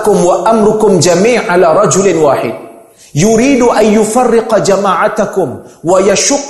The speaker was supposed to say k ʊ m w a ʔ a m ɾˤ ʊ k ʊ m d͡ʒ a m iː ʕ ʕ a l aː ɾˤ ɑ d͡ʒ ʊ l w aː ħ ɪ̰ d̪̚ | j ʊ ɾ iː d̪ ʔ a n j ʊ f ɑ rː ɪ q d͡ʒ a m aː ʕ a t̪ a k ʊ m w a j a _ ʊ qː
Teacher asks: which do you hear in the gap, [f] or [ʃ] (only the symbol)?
ʃ